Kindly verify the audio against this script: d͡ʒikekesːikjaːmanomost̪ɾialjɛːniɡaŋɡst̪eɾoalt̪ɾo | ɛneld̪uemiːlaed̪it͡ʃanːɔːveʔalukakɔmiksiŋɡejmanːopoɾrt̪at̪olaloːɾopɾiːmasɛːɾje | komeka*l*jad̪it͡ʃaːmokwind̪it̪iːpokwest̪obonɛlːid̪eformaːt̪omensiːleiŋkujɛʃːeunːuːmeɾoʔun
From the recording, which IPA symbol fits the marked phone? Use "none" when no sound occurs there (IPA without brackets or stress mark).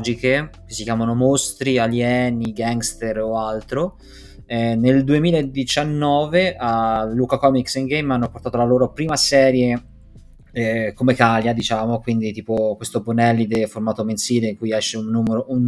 l